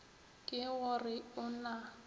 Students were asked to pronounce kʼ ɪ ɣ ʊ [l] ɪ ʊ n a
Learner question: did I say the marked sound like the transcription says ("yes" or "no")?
no